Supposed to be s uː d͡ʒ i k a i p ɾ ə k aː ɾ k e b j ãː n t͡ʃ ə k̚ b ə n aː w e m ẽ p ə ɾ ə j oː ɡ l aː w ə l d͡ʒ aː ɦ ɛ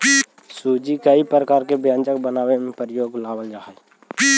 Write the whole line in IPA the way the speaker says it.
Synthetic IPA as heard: s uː d͡ʒ i k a i p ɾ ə k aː ɾ k e b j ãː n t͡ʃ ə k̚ b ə n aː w e m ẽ p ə ɾ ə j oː ɡ l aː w ə l d͡ʒ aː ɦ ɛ